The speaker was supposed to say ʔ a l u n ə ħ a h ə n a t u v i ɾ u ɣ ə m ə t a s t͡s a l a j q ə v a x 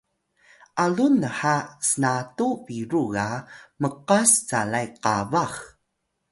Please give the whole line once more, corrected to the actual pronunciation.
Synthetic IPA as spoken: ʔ a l u n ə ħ a s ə n a t u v i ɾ u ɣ a m ə q a s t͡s a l a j q a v a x